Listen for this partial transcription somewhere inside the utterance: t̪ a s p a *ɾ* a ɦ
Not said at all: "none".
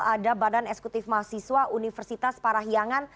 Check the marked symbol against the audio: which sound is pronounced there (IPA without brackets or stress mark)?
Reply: ɾ